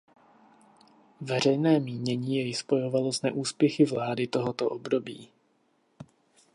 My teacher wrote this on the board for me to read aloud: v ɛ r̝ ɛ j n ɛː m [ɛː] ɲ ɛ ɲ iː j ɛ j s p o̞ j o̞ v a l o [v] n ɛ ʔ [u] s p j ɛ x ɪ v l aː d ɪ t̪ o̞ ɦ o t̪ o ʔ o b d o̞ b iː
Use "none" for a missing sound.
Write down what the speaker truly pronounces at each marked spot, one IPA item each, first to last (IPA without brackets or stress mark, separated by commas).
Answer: iː, z, uː